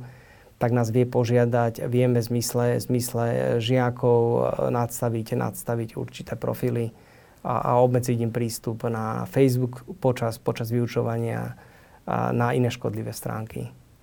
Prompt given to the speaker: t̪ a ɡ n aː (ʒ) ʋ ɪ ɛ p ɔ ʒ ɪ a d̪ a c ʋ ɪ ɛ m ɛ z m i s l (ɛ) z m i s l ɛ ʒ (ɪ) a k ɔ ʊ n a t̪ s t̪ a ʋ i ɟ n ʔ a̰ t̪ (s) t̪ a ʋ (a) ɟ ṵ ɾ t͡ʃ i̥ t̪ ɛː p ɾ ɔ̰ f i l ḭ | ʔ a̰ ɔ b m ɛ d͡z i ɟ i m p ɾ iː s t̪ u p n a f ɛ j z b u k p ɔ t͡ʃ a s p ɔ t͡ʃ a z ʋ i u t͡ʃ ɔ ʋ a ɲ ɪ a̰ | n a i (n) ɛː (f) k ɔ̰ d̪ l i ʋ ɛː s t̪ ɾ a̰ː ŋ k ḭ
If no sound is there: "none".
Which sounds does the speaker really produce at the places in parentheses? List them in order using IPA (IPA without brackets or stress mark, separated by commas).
z, ɛ, ɪ, s, i, n, ʃ